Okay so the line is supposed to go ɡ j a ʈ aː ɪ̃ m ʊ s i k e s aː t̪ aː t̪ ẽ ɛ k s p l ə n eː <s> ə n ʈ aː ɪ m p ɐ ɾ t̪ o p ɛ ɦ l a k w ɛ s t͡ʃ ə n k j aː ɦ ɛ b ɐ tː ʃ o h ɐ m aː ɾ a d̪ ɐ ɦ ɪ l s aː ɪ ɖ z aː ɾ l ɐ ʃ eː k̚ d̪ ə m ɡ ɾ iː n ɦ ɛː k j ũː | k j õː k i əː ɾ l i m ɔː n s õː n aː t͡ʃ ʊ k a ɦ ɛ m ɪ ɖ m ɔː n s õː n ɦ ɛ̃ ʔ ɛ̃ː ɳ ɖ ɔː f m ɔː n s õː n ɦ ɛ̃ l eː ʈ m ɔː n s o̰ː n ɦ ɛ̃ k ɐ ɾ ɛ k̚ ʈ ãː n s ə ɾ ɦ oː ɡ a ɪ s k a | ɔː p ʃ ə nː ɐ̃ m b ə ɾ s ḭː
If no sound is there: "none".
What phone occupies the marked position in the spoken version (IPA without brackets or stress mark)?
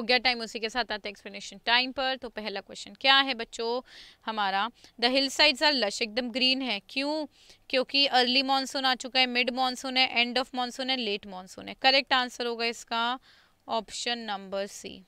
ʃ